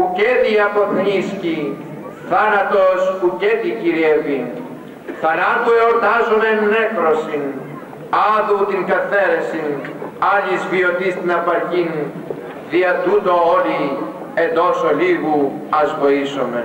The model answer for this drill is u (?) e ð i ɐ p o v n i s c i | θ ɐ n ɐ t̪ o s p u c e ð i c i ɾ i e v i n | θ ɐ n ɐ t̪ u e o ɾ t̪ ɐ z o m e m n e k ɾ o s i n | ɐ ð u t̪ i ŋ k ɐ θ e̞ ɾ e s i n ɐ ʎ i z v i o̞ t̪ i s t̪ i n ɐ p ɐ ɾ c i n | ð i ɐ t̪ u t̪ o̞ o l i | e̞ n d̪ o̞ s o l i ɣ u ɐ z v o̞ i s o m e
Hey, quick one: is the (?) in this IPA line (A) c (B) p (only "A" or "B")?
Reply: A